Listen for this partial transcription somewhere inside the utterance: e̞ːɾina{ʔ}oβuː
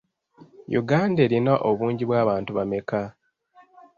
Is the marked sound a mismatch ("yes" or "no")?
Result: no